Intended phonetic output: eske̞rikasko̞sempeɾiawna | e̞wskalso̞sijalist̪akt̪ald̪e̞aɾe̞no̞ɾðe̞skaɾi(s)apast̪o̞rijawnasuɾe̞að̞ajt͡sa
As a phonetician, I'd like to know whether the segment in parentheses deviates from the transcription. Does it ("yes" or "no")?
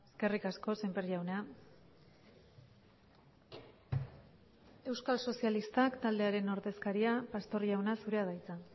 yes